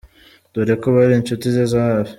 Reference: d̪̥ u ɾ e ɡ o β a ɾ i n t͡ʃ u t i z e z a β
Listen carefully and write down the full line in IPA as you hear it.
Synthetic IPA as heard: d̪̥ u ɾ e k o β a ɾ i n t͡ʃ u t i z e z a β